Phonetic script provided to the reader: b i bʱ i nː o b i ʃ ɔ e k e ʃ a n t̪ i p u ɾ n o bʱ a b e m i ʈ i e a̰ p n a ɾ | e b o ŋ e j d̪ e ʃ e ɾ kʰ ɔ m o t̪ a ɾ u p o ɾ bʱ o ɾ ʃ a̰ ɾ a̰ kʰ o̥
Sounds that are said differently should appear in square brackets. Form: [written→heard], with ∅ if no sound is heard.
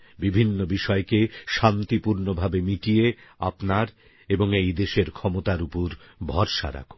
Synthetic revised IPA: b i bʱ i nː o b i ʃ ɔ e k e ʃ a n t̪ i p u ɾ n o bʱ a b e m i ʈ i e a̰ p n a ɾ | e b o ŋ e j d̪ e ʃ e ɾ kʰ ɔ m o t̪ a ɾ u p o ɾ bʱ [o→ɔ] ɾ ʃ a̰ ɾ a̰ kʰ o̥

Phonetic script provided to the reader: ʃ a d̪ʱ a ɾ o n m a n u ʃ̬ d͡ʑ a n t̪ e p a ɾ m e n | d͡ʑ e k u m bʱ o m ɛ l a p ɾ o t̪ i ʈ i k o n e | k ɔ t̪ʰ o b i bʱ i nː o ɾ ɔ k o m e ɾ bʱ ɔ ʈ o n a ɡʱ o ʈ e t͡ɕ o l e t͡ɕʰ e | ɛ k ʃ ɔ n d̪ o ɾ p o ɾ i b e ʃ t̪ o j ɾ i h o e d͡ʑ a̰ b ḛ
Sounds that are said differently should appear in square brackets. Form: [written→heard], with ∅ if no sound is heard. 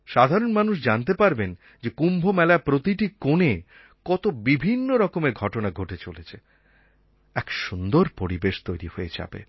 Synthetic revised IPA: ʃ a d̪ʱ a ɾ o n m a n u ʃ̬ d͡ʑ a n t̪ e p a ɾ [m→b] e n | d͡ʑ e k u m bʱ o m ɛ l a p ɾ o t̪ i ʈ i k o n e | k ɔ [t̪ʰ→t̪] o b i bʱ i nː o ɾ ɔ k o m e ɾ [bʱ→ɡʱ] ɔ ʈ o n a ɡʱ o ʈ e t͡ɕ o l e t͡ɕʰ e | ɛ k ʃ [ɔ→u] n d̪ o ɾ p o ɾ i b e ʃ t̪ o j ɾ i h o e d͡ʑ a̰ b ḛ

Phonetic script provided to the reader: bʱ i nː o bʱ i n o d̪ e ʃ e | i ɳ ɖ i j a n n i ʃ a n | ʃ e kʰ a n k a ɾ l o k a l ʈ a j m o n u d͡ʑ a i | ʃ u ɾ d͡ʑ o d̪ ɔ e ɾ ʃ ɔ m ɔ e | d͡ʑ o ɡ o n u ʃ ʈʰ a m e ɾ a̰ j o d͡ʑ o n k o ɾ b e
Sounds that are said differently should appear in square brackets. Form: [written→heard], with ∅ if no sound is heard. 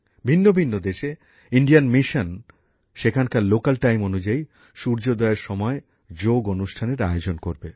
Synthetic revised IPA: bʱ i nː o bʱ i [n→nː] o d̪ e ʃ e | i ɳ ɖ i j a n [n→m] i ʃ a n | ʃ e kʰ a n k a ɾ l o k a l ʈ a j m o n u d͡ʑ a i | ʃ u ɾ d͡ʑ o d̪ ɔ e ɾ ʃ ɔ m ɔ e | d͡ʑ o ɡ o n u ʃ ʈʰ a [m→n] e ɾ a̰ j o d͡ʑ o n k o ɾ b e

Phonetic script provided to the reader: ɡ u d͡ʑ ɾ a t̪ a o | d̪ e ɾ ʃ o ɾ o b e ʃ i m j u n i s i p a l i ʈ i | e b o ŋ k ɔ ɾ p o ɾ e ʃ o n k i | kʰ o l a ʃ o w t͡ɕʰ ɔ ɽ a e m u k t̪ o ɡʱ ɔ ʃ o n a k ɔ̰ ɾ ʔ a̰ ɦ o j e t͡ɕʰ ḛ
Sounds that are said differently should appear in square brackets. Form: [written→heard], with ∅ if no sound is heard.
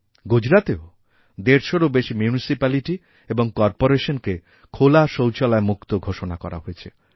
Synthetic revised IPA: ɡ u d͡ʑ ɾ a t̪ [a→e] o | d̪ e ɾ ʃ o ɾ o b e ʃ i m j u n i s i p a l i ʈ i | e b o ŋ k ɔ ɾ p o ɾ e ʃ o n k [i→e] | kʰ o l a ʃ o w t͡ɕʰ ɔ [ɽ→l] a e m u k t̪ o ɡʱ [ɔ→o] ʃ o n a k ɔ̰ ɾ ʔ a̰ ɦ o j e t͡ɕʰ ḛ

